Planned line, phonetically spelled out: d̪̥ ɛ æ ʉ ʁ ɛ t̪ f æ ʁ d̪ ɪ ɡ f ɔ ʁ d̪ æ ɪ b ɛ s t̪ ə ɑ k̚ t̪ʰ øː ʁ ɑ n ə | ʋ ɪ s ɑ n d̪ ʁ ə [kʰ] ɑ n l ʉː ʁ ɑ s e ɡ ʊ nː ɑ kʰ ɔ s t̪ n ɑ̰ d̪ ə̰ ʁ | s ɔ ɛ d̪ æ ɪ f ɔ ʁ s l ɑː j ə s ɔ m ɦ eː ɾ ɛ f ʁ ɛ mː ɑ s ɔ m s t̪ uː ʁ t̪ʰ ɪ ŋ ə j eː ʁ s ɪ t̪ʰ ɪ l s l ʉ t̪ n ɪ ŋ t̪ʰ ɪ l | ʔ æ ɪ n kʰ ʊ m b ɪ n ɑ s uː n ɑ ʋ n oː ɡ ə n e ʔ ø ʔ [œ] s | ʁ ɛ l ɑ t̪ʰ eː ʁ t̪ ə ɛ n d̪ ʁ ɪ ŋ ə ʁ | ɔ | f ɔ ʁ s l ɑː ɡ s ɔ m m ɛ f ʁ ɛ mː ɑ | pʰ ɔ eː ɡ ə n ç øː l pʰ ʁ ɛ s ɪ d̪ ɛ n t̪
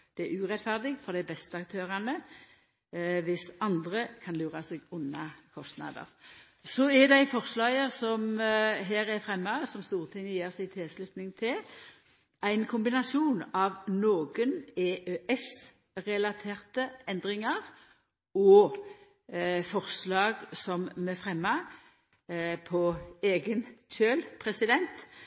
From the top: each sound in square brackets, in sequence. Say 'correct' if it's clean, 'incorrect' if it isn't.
correct, incorrect

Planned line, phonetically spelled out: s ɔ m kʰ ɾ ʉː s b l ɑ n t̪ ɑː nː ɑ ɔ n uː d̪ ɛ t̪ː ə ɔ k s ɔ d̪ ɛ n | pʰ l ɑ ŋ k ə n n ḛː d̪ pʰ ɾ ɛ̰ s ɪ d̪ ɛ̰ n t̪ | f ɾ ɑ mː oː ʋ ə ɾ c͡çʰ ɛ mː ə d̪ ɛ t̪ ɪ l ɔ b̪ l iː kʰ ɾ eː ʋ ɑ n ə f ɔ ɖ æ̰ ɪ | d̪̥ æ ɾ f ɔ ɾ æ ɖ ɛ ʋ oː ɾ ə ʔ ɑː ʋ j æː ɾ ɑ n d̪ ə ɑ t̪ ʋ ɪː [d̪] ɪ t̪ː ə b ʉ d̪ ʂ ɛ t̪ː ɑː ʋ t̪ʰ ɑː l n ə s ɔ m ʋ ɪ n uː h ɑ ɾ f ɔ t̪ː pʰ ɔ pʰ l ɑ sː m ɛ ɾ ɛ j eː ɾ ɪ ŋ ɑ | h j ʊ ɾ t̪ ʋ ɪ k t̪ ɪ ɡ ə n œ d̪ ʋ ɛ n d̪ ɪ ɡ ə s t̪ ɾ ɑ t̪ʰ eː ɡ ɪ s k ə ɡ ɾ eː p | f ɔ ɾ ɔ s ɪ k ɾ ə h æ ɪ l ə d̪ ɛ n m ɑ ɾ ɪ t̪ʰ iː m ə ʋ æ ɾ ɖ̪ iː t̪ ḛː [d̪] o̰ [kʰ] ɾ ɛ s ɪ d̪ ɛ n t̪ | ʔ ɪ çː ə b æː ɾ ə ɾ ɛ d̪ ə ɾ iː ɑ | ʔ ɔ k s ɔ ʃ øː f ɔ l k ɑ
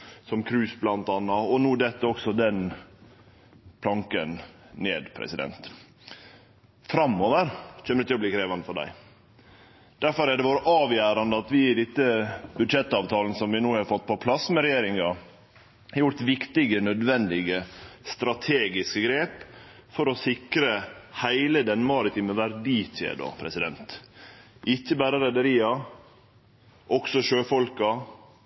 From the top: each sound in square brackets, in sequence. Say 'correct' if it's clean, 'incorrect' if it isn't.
correct, correct, incorrect

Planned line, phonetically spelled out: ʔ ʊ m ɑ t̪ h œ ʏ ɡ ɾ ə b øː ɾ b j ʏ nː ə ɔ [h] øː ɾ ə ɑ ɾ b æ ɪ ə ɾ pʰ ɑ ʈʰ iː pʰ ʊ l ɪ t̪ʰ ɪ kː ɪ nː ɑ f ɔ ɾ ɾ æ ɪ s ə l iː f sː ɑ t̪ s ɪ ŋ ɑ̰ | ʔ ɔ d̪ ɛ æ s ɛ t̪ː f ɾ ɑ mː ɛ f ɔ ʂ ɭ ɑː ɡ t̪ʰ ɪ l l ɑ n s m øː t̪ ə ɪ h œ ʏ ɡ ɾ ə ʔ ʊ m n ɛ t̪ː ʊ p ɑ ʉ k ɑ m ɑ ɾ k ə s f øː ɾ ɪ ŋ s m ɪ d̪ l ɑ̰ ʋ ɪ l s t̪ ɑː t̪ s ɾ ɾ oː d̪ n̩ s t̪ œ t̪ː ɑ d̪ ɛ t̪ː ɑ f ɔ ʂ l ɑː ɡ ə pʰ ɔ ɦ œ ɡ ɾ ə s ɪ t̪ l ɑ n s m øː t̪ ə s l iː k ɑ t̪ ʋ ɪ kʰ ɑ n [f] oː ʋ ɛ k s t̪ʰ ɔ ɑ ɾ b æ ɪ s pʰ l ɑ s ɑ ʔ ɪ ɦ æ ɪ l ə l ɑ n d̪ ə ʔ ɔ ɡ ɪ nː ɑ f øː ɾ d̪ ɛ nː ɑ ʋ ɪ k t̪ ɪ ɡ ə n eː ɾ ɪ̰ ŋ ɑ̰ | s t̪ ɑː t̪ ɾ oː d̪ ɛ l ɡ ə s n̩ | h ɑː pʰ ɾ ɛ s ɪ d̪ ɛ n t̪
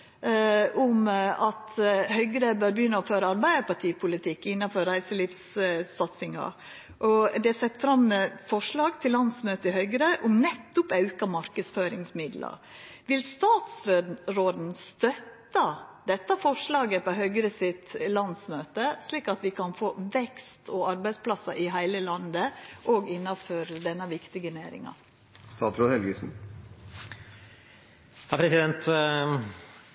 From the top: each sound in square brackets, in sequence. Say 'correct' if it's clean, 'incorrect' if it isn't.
incorrect, correct

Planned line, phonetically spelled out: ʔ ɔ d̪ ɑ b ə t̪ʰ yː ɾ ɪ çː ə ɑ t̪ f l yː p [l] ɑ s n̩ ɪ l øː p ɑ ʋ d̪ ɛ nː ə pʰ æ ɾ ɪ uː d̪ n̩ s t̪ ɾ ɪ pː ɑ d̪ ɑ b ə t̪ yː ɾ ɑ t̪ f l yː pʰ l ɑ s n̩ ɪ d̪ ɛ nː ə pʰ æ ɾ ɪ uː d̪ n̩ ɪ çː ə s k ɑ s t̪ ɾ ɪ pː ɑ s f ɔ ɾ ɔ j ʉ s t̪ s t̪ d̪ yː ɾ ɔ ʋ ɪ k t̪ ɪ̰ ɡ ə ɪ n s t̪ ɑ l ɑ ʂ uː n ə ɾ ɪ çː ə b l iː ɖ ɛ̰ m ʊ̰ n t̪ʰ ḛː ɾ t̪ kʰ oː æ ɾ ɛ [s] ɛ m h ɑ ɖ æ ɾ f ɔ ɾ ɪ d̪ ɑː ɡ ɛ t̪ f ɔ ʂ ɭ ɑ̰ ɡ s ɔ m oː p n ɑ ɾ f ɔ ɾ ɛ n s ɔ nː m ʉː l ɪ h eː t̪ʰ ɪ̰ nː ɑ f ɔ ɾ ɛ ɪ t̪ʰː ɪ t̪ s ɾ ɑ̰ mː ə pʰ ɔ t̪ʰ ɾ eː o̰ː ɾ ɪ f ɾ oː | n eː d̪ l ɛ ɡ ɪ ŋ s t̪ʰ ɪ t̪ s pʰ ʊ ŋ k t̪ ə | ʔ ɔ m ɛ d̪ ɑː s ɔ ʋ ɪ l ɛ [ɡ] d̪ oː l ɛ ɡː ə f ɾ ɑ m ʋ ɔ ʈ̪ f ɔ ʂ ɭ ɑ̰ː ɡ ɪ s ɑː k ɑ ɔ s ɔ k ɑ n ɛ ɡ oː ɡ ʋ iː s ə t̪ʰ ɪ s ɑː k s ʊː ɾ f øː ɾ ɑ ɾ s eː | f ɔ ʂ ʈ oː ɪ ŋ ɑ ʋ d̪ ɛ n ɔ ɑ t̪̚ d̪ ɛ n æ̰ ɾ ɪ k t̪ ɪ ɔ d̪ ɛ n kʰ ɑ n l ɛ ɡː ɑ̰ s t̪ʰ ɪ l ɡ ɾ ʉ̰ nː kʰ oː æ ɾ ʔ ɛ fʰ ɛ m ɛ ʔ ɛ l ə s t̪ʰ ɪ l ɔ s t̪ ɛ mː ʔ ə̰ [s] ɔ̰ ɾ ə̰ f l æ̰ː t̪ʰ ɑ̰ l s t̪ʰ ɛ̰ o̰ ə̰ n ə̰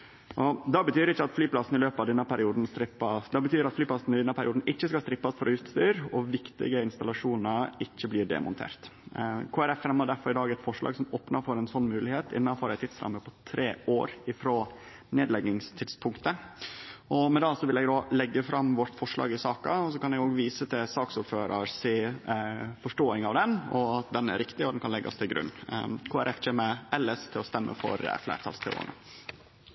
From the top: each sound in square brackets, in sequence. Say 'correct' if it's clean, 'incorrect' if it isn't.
correct, incorrect, correct, incorrect

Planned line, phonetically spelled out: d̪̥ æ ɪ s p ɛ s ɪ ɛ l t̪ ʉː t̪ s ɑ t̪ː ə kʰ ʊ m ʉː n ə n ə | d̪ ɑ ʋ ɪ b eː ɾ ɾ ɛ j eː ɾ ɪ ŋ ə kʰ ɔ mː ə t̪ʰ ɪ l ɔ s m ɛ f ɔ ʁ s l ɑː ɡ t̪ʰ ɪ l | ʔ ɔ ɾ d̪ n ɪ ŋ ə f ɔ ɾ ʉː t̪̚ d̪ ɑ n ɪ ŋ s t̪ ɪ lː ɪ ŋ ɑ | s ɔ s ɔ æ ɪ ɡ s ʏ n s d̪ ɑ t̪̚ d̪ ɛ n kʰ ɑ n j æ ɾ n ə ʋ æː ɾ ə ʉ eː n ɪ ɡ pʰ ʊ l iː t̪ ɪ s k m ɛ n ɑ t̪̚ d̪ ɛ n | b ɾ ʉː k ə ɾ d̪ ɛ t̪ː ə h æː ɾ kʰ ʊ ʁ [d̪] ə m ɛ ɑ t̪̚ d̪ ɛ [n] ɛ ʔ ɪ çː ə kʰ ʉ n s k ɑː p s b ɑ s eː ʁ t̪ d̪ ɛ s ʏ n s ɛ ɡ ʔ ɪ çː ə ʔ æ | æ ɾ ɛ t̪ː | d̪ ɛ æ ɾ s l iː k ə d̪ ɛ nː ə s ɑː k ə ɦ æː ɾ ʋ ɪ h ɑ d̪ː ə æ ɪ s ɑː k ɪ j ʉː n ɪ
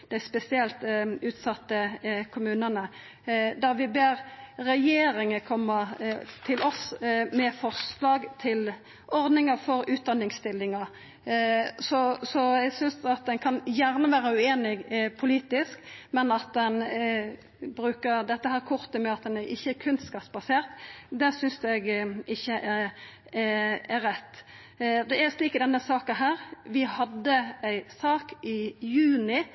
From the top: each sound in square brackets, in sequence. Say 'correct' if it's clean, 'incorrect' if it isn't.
incorrect, correct

